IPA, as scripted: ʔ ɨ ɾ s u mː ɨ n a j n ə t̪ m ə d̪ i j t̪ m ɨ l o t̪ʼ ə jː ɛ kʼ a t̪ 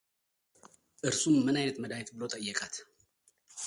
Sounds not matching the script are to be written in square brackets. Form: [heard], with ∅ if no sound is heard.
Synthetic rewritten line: ʔ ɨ ɾ s u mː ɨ n a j n ə t̪ m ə d̪ [a] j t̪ [b] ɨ l o t̪ʼ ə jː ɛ kʼ a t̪

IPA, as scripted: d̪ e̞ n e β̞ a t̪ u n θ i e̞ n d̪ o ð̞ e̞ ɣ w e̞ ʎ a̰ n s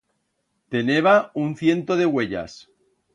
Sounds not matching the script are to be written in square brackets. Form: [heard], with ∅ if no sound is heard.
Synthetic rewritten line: [t̪] e̞ n e β̞ a [∅] u n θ [j] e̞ n [t̪] o ð̞ e̞ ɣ w e̞ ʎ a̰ [∅] s

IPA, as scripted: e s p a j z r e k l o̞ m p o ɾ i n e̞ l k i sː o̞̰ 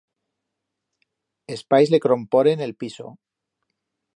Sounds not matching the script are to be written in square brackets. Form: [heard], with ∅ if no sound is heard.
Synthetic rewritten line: e s p a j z [l] e k [ɾ] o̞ m p o ɾ [e] n e̞ l [p] i [s] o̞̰

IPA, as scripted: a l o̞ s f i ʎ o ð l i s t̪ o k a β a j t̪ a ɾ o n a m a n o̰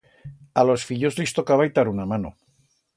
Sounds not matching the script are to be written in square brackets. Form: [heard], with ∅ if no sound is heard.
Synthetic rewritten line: a l o̞ s f i ʎ o [z] l i s t̪ o k a β a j t̪ a ɾ [u] n a m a n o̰

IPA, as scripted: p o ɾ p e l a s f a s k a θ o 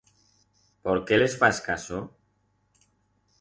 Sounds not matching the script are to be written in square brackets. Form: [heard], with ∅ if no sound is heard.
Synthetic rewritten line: p o ɾ [k] e l [e] s f a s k a [s] o

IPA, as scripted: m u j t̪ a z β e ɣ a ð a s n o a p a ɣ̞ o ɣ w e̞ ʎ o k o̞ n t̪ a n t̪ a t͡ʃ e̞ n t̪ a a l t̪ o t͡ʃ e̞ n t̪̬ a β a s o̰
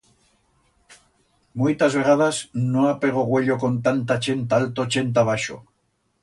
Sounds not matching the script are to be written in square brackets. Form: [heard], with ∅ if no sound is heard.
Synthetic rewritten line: m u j t̪ a z β e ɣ a ð a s n o a p [e] ɣ̞ o ɣ w e̞ ʎ o k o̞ n t̪ a n t̪ a t͡ʃ e̞ n t̪ a a l t̪ o t͡ʃ e̞ n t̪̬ a β a [ʃ] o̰

